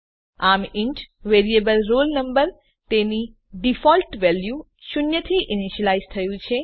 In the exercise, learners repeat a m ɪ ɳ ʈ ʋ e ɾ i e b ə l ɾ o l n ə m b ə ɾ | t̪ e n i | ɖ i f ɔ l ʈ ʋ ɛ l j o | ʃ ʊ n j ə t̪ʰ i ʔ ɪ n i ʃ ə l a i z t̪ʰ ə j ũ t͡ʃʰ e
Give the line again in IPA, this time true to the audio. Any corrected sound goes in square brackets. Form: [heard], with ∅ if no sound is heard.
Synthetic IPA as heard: a m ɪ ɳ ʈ ʋ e ɾ i e b ə l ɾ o l n ə m b ə ɾ | t̪ e n i | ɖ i f ɔ l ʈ ʋ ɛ l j [u] | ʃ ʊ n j ə t̪ʰ i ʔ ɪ n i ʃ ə l a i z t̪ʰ ə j ũ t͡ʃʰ e

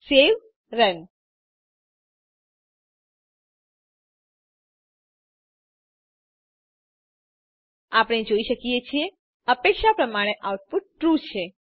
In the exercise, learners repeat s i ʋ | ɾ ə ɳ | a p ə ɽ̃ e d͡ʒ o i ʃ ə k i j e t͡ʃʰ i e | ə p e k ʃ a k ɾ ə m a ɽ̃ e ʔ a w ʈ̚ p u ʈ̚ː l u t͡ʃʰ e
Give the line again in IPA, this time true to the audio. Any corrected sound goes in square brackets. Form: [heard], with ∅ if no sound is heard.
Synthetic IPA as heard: s [e] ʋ | ɾ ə [n] | a p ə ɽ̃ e d͡ʒ o i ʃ ə k i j e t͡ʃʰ i e | ə p e k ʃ a [p] ɾ ə m a ɽ̃ e ʔ a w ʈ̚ p u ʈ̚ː [ɾ] u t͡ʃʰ e

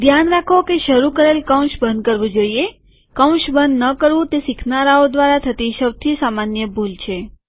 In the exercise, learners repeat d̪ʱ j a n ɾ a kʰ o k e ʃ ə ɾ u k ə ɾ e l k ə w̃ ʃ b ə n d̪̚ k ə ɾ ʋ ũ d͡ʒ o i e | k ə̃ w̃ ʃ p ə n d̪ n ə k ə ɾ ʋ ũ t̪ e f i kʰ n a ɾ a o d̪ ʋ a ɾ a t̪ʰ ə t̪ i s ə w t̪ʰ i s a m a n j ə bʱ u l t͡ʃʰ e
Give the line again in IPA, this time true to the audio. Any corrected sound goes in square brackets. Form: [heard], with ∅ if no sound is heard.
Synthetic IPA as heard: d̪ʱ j a n ɾ a kʰ o k e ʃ ə ɾ u k ə ɾ e l k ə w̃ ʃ b ə n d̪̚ k ə ɾ ʋ ũ d͡ʒ o i e | k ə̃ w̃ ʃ [b] ə n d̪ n ə k ə ɾ ʋ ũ t̪ e [s] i kʰ n a ɾ a o d̪ ʋ a ɾ a t̪ʰ ə t̪ i [ʃ] ə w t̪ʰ i s a m a n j ə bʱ u l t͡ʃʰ e

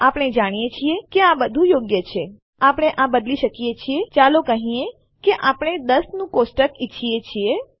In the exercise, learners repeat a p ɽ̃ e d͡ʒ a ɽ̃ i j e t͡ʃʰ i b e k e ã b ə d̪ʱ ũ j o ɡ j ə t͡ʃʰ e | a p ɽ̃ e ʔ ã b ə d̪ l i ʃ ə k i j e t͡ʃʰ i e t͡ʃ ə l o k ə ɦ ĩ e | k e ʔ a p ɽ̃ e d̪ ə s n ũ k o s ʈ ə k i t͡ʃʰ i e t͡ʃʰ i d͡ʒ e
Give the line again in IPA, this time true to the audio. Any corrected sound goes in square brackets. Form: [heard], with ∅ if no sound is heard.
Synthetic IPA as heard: a p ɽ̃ e d͡ʒ a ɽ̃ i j e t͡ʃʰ i [∅] e k e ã b ə d̪ʱ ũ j o ɡ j ə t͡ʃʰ e | a p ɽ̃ e ʔ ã b ə d̪ l i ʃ ə k i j e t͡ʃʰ i e t͡ʃ [a] l o k ə ɦ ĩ e | k e ʔ a p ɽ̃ e d̪ ə s n ũ k o s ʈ ə k i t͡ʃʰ i e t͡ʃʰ i [∅] e

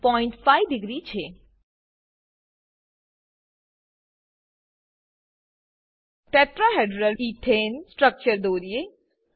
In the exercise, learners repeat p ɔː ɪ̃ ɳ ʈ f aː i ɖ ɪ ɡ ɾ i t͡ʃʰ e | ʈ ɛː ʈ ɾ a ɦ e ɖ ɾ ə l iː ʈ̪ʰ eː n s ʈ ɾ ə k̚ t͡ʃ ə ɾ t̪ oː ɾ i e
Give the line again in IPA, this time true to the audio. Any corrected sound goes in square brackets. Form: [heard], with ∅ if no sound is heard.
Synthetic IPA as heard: p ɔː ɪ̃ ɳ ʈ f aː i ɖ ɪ ɡ ɾ i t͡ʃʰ e | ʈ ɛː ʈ ɾ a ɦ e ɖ ɾ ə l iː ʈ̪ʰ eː n s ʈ ɾ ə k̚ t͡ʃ ə ɾ [d̪] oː ɾ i e

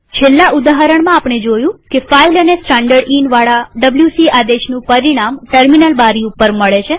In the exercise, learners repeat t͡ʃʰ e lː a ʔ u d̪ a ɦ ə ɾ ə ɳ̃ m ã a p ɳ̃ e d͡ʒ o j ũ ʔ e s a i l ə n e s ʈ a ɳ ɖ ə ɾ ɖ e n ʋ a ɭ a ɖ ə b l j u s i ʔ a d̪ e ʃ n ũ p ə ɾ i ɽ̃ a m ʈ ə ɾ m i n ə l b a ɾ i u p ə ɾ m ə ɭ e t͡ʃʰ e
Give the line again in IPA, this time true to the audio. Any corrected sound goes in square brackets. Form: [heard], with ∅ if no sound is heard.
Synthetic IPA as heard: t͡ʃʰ e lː a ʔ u d̪ a ɦ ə ɾ ə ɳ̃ m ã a p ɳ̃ e d͡ʒ o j ũ [k] e [f] a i l ə n e s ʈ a ɳ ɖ ə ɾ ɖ [i] n ʋ a ɭ a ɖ ə b l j u s i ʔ a d̪ e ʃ n ũ p ə ɾ i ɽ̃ a m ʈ ə ɾ m i n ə l b a ɾ i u p ə ɾ m ə ɭ e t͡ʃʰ e

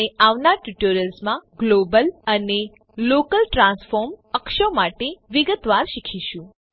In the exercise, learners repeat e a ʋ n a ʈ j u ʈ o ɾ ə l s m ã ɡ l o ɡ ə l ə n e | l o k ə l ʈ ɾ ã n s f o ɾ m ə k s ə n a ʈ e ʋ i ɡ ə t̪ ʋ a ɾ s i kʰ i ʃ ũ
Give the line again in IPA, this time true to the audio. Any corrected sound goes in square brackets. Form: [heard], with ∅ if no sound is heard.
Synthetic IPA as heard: e a ʋ n a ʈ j u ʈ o ɾ ə l s m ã ɡ l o [b] ə l ə n e | l o k ə l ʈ ɾ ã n s f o ɾ m ə k [ʃ] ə [m] a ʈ e ʋ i ɡ ə t̪ ʋ a ɾ [ʃ] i kʰ i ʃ ũ

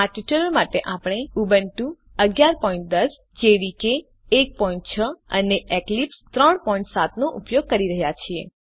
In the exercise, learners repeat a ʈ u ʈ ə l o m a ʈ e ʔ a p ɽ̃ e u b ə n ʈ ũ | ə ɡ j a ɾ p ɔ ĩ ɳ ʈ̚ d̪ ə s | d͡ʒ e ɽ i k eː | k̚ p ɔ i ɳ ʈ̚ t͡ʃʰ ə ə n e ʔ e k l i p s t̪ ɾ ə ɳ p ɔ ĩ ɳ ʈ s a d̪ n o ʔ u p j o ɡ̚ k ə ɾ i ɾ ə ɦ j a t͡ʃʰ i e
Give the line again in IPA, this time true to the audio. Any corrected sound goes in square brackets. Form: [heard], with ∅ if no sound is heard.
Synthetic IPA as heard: a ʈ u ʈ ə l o m a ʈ e ʔ a p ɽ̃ e u b ə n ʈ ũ | ə ɡ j a ɾ p ɔ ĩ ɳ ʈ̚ d̪ ə s | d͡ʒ e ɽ i k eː | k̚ p ɔ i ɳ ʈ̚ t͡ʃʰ ə ə n e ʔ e k l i p s t̪ ɾ ə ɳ p ɔ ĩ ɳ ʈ s a [t̪] n o ʔ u p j o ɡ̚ k ə ɾ i ɾ ə ɦ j a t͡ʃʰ i e

